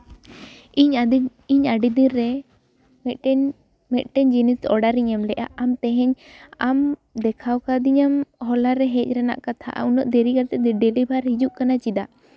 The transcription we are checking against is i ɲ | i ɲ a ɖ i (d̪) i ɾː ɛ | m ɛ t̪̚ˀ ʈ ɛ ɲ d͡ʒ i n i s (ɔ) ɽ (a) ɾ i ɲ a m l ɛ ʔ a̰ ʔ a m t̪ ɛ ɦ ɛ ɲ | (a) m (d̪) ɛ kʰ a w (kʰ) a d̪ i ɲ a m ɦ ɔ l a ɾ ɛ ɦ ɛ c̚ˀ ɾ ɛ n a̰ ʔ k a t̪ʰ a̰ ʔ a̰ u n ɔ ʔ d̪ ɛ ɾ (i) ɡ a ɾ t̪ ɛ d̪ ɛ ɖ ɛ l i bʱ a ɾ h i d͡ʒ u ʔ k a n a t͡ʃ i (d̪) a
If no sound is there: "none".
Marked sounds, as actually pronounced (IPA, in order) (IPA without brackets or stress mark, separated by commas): d̪, ɔ, a, a, d̪, k, i, d̪